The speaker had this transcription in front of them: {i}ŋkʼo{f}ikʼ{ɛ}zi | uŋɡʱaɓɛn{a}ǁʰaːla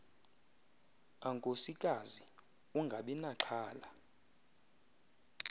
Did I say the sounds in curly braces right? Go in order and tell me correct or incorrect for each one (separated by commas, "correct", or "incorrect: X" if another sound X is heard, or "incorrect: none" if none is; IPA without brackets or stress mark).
incorrect: a, incorrect: s, incorrect: a, correct